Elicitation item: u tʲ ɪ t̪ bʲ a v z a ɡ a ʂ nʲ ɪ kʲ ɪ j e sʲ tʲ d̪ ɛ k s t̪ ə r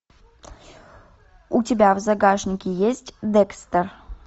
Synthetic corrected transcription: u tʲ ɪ bʲ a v z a ɡ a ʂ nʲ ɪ kʲ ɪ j e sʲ tʲ d̪ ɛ k s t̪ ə r